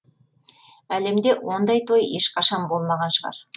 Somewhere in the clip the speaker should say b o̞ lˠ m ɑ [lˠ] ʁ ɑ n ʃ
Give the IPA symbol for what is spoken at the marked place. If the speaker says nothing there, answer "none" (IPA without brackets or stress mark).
none